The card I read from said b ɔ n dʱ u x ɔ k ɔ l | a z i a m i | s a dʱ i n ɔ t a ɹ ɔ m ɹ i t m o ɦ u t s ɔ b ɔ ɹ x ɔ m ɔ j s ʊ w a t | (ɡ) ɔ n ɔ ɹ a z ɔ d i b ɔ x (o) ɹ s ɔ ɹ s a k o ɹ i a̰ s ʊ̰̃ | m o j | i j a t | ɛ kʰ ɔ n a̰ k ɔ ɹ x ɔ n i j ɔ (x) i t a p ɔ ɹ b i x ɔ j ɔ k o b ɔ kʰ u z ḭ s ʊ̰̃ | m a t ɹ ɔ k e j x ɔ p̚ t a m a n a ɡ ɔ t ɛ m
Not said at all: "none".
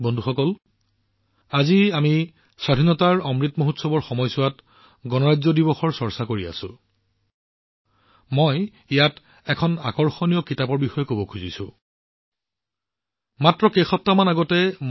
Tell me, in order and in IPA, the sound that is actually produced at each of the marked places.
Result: ɡ, ɔ, k

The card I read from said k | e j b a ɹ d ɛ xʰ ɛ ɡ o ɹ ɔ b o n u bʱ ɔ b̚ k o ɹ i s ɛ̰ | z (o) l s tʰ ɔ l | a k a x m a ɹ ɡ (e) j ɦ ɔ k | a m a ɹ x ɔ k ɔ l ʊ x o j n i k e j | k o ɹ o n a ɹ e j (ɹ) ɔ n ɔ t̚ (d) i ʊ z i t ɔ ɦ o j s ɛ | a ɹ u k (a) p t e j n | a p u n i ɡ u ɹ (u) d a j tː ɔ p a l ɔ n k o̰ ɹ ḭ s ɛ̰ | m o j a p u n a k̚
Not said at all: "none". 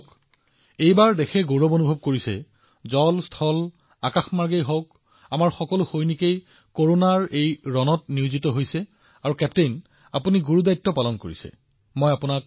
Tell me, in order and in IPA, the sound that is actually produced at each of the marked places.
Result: ɔ, e, ɹ, n, ɛ, u

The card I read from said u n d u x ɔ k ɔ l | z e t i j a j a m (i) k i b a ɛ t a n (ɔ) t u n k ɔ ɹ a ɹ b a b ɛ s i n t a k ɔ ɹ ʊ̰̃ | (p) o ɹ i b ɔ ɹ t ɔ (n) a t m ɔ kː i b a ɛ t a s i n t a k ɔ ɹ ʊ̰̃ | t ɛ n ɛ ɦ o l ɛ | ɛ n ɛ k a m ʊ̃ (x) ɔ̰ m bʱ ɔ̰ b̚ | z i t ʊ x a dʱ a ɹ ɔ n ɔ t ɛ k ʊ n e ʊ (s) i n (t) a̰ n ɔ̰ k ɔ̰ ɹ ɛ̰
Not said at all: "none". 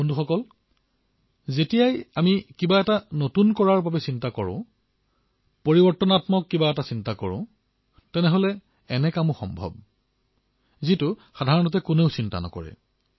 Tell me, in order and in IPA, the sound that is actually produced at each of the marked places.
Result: i, o, p, n, x, s, t

